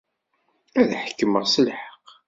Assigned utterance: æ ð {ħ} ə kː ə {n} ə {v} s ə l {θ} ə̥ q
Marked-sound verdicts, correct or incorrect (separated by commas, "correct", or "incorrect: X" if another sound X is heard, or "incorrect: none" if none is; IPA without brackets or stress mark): correct, incorrect: m, incorrect: ʁ, incorrect: ħ